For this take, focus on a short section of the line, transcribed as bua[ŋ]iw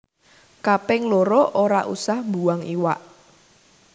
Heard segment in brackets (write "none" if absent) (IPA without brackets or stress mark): ŋ